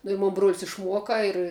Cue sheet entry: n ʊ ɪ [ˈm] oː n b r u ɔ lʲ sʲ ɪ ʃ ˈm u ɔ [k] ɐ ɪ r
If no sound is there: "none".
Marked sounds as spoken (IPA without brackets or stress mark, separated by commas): m, k